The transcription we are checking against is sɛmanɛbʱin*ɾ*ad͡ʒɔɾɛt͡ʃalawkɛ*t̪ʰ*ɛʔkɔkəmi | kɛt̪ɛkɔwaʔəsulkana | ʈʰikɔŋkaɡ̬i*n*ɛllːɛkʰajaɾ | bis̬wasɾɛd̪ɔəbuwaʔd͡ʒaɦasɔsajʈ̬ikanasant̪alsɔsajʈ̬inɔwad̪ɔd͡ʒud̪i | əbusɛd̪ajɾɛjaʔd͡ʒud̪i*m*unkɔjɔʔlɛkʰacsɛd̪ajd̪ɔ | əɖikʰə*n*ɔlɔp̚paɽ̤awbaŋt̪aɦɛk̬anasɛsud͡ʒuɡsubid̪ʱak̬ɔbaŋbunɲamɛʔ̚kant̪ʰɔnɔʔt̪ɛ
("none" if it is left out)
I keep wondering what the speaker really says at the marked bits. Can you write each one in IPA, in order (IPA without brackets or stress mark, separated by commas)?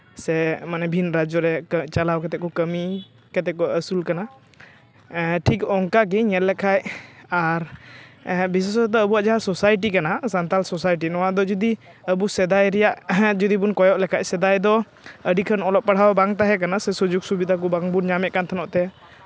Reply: ɾ, t̪, ɲ, b, n